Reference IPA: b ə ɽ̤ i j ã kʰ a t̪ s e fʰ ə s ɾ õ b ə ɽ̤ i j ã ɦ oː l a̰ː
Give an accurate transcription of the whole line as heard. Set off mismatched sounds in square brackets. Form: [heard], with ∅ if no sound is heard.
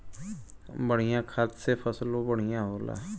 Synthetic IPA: b ə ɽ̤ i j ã kʰ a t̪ s e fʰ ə s [l] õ b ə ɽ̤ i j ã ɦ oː l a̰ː